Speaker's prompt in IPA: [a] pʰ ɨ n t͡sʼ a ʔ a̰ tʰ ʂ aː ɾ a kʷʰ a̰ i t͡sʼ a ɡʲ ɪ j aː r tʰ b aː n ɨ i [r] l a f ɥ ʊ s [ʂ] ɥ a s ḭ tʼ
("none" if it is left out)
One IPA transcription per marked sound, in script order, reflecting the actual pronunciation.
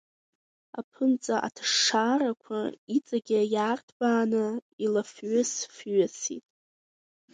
a, none, f

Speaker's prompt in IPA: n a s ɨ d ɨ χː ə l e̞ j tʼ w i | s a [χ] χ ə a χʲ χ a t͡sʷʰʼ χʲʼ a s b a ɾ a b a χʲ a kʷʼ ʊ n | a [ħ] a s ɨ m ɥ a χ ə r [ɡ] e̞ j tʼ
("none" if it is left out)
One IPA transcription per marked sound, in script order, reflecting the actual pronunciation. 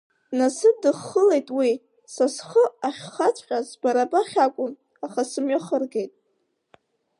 s, χ, ɡ

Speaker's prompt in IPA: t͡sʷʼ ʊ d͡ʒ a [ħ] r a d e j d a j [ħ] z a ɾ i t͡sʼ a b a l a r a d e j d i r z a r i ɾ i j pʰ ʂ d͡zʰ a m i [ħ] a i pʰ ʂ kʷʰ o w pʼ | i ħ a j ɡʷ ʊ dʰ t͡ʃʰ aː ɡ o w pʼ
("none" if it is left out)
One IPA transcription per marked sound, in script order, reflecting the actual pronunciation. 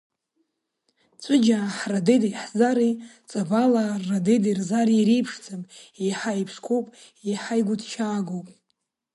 ħ, ħ, ħ

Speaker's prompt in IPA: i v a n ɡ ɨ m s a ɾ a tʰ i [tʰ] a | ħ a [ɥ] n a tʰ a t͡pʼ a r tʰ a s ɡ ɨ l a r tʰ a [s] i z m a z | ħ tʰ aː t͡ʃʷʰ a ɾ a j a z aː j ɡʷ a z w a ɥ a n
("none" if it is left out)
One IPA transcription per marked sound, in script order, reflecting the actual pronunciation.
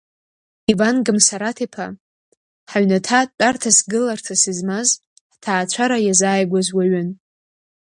pʰ, ɥ, s

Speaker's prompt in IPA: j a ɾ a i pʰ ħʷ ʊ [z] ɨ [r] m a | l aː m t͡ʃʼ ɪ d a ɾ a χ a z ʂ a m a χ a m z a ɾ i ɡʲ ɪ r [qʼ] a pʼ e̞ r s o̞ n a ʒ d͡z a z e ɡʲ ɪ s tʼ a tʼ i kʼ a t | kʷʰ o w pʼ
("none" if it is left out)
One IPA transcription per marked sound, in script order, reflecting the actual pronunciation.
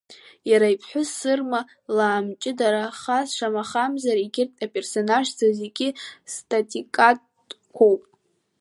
s, r, tʼ

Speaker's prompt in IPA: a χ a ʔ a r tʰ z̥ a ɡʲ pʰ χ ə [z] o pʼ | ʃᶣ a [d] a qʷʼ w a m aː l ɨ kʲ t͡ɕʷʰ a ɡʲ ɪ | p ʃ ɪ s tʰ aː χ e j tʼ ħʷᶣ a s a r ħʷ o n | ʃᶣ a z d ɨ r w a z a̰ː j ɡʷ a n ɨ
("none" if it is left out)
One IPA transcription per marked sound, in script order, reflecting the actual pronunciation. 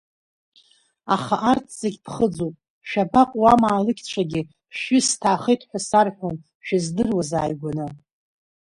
d͡z, b

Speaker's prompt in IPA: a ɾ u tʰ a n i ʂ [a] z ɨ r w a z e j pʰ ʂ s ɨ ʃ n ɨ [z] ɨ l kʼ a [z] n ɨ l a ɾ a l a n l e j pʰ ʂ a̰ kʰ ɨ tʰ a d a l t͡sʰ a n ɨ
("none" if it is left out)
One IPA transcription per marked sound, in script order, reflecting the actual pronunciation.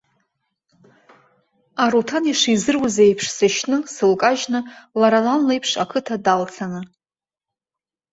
i, s, ʒ

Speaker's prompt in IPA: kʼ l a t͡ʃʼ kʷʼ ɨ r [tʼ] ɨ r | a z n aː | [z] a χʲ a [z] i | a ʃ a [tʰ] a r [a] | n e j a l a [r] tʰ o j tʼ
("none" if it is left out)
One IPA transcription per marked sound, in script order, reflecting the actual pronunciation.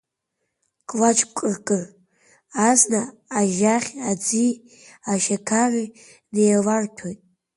kʼ, ʒ, d͡z, kʰ, i, r

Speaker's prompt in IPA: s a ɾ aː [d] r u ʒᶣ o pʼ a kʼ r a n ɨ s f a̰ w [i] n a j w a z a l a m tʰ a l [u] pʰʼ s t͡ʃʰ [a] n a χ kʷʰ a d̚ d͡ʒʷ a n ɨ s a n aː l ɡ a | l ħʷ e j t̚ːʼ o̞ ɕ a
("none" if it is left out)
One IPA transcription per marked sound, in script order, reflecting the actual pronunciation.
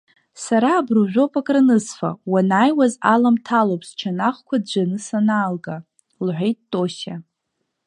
b, a, o, a

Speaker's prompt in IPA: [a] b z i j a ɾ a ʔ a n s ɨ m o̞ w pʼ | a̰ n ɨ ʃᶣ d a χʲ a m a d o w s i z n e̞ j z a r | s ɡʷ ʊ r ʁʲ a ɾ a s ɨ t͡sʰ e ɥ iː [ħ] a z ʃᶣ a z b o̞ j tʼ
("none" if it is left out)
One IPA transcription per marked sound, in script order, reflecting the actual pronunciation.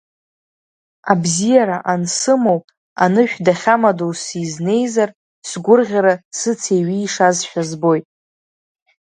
a, ʂ

